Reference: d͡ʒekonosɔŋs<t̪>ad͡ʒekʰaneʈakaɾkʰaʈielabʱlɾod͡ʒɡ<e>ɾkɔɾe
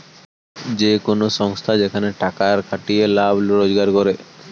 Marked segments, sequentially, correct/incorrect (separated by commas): incorrect, incorrect